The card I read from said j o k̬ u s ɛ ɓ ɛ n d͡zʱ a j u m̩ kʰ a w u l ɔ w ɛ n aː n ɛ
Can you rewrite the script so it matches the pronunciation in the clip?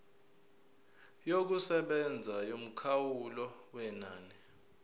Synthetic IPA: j o k̬ u s ɛ ɓ ɛ n d͡zʱ a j o m̩ kʰ a w u l ɔ w ɛ n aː n ɛ

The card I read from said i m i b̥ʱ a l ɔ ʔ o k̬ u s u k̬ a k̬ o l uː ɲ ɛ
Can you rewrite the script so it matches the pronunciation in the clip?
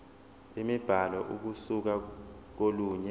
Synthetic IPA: i m i b̥ʱ a l ɔ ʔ u k̬ u s u k̬ a k̬ o l uː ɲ ɛ

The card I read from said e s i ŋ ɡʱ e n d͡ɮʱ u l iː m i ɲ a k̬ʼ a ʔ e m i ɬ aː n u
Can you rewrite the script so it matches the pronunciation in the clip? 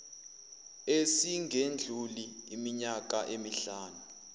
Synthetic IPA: e s i ŋ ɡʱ e n d͡ɮʱ u l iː m i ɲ a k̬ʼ a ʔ e m i ɬ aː n u

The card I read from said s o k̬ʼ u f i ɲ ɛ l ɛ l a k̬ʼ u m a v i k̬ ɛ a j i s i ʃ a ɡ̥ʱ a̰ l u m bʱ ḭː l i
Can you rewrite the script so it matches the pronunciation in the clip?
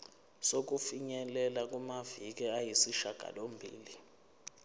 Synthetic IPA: s o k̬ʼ u f i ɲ ɛ l ɛ l a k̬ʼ u m a v i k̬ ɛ a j i s i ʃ a ɡ̥ʱ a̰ l o m bʱ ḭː l i

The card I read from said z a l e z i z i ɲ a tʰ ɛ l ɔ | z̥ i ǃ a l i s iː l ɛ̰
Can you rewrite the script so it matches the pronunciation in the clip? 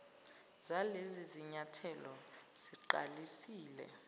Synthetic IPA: z a l e z i z i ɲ a tʰ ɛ l ɔ | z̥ i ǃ a l i s iː l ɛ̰

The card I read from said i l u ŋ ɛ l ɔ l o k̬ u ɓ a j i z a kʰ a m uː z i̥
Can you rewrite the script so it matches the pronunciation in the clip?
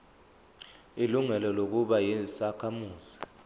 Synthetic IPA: i l u ŋ ɛ l ɔ l o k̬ u ɓ a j i s a kʰ a m uː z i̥

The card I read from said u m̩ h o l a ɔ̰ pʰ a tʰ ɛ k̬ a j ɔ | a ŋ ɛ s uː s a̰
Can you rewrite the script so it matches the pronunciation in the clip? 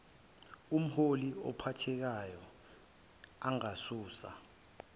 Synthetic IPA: u m̩ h o l i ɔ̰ pʰ a tʰ ɛ k̬ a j ɔ | a ŋ a s uː s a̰

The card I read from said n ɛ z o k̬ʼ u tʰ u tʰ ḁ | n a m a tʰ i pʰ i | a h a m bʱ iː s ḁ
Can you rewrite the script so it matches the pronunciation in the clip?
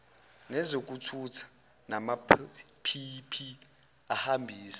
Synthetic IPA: n ɛ z o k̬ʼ u tʰ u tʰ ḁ | n a m a pʰ i pʰ i | a h a m bʱ iː s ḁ

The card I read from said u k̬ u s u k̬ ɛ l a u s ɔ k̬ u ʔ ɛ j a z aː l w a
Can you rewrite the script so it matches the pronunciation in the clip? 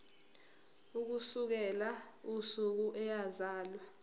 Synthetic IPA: u k̬ u s u k̬ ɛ l a u s u k̬ u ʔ ɛ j a z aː l w a

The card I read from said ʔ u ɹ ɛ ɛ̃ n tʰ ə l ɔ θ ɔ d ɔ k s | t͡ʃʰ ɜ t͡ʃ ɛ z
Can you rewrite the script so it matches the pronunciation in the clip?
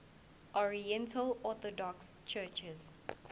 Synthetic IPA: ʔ ɔ ɹ i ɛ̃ n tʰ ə l ɔ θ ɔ d ɔ k s | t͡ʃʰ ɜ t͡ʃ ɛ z

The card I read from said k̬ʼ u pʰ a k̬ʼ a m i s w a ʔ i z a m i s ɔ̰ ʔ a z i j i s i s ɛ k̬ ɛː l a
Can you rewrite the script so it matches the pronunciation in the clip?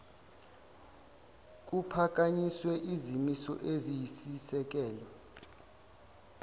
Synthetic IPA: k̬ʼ u pʰ a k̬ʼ a ɲ i s w ɛ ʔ i z i m i s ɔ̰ ʔ e z i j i s i s ɛ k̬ ɛː l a

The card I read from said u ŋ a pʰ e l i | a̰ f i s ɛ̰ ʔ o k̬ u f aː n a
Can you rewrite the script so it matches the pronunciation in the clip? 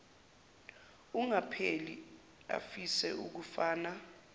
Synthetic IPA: u ŋ a pʰ e l i | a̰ f i s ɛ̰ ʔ u k̬ u f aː n a

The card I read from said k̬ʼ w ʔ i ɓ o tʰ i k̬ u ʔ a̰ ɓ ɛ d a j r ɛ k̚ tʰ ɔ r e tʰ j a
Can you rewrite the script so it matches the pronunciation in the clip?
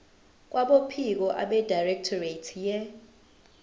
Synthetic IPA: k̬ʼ w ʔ a ɓ o pʰ i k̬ ɔ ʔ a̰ ɓ ɛ d a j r ɛ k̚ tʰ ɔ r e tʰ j ɛ

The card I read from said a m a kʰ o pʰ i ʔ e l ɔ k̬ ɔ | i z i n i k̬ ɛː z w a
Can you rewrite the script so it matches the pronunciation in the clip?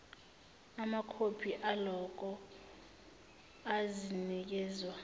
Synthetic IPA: a m a kʰ o pʰ i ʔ a l ɔ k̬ ɔ | a z i n i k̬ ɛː z w a

